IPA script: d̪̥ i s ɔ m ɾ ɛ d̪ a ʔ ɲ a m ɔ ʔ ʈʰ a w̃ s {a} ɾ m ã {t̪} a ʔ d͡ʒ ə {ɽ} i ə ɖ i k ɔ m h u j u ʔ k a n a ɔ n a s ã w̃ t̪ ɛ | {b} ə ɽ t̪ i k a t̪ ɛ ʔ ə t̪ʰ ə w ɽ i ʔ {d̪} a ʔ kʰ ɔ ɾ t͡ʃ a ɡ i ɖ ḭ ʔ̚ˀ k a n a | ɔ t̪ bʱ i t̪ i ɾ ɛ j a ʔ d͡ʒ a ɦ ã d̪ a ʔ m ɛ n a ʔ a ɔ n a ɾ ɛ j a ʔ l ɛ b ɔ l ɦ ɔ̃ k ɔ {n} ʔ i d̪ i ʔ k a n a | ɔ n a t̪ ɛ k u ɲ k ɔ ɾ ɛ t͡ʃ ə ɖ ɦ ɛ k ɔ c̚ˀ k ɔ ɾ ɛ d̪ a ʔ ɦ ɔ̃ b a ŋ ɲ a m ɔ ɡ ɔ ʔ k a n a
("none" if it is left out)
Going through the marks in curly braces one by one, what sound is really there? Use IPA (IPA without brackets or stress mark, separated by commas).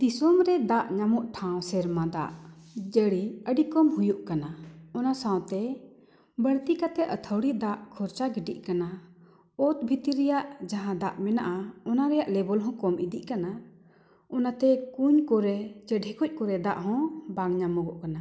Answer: ɛ, d̪, ɽ, b, d̪, m